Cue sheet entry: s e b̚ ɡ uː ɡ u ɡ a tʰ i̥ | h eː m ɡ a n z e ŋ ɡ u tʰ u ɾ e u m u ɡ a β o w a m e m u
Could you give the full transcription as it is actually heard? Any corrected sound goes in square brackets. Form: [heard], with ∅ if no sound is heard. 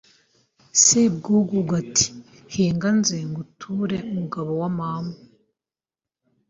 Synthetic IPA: s e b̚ ɡ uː ɡ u ɡ a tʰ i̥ | h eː [ŋ] ɡ a n z e ŋ ɡ u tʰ u ɾ e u m u ɡ a β o w a m [a] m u